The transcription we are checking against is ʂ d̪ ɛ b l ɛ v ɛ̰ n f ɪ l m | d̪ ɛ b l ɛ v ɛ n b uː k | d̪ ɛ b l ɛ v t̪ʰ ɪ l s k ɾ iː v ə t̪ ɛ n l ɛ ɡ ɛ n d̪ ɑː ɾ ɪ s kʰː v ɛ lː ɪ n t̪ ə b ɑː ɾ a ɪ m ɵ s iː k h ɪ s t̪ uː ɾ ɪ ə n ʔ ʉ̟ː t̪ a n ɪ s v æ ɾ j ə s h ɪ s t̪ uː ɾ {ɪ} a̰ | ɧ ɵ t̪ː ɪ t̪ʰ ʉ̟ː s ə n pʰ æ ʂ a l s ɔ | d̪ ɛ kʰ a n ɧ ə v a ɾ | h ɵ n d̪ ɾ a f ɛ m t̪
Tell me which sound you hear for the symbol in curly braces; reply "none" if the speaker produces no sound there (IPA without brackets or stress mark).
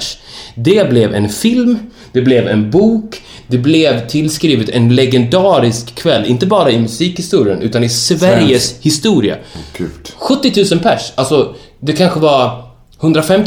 ɪ